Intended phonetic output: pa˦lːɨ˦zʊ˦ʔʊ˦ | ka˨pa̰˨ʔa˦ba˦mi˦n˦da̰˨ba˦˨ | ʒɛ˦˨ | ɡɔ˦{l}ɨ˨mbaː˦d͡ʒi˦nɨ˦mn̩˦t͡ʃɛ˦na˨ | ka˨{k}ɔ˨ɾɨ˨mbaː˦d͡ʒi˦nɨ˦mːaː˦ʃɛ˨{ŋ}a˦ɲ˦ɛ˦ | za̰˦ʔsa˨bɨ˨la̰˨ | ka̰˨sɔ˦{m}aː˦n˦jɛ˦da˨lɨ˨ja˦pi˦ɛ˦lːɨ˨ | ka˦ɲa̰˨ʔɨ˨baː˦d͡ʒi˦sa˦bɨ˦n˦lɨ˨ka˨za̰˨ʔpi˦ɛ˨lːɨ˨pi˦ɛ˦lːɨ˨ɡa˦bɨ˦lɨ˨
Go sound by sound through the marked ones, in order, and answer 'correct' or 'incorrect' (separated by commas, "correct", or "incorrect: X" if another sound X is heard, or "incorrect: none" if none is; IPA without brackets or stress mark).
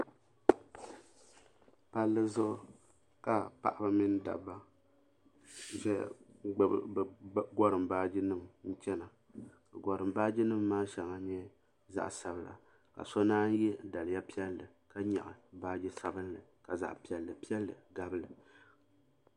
incorrect: ɾ, incorrect: ɡ, correct, incorrect: n